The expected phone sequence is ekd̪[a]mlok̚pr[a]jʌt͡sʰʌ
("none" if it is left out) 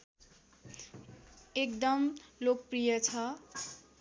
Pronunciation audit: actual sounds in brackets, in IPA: ʌ, i

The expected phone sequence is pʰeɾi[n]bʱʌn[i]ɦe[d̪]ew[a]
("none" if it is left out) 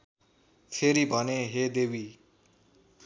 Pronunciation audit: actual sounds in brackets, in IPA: none, e, d̪, i

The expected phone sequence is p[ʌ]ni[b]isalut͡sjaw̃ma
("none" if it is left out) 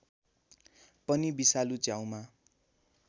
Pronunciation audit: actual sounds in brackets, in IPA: ʌ, b

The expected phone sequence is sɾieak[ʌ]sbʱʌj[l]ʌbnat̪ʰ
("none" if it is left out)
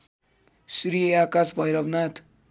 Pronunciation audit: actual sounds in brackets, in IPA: a, ɾ

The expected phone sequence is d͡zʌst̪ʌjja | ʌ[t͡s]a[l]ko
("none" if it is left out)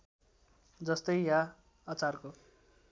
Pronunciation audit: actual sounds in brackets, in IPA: t͡s, r

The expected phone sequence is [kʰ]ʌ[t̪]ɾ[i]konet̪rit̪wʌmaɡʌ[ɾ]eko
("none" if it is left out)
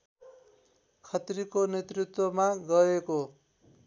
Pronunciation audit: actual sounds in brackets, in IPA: kʰ, t̪, i, none

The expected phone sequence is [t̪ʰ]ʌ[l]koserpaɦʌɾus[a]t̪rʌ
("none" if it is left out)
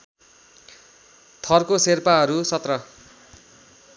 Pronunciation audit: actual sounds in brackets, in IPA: t̪ʰ, r, ʌ

